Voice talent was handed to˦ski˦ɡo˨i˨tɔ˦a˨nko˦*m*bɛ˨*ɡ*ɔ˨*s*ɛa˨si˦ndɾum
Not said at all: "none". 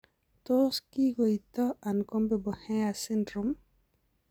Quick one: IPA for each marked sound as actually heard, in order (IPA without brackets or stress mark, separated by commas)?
m, b, h